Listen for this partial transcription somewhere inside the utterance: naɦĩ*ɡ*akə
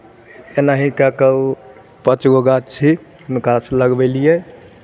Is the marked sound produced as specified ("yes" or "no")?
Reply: no